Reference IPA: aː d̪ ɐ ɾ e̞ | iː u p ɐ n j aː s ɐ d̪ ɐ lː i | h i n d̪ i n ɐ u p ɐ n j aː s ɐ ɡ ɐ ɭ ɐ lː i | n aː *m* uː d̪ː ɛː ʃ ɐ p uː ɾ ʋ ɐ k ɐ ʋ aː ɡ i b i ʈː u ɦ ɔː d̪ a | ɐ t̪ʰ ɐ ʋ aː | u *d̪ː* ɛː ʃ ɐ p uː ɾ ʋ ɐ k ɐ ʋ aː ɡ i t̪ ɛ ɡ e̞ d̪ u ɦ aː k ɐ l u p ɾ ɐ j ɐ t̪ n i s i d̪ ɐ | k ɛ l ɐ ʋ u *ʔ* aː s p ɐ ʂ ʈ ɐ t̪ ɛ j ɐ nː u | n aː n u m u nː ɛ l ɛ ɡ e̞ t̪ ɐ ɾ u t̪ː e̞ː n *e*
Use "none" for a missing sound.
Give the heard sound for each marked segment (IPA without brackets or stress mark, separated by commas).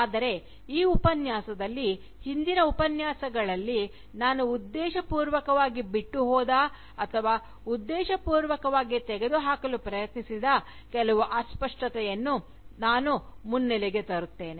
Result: n, d̪ː, ʔ, e